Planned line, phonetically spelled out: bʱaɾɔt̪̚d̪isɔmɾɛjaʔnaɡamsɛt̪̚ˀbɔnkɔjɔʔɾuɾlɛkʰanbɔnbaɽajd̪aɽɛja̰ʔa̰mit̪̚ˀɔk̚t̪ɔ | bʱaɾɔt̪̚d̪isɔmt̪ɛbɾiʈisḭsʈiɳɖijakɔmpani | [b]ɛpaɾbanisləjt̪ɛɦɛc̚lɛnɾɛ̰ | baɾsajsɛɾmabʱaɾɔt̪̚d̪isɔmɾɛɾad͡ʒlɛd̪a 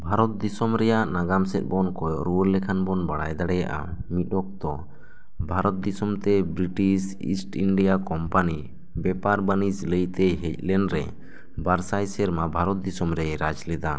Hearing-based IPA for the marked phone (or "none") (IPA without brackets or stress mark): b